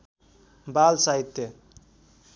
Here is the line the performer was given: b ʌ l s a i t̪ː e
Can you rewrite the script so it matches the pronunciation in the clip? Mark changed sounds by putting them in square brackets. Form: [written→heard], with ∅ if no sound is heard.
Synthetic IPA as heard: b [ʌ→a] l s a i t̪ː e